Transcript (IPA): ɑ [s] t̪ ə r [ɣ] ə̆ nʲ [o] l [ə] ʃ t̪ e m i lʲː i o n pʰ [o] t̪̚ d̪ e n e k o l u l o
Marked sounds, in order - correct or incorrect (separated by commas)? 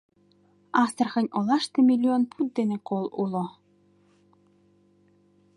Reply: correct, incorrect, correct, incorrect, incorrect